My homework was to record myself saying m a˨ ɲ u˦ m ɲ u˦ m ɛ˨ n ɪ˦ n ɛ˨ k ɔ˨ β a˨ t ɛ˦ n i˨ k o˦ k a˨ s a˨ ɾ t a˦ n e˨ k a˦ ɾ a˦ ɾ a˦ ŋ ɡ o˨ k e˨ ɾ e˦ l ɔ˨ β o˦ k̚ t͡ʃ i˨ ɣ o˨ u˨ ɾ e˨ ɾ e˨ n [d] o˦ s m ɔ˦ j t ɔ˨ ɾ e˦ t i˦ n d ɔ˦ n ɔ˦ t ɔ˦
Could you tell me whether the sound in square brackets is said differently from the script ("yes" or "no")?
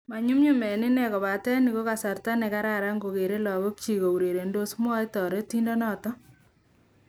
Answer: no